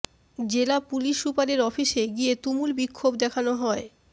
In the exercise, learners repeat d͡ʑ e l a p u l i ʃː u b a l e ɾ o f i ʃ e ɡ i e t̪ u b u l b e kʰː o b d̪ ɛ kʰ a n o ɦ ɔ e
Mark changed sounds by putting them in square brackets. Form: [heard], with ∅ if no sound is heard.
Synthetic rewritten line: d͡ʑ e l a p u l i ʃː u [p] a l e ɾ [ɔ] f i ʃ e ɡ i e t̪ u [m] u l b [i] kʰː o b d̪ ɛ kʰ a n o ɦ ɔ e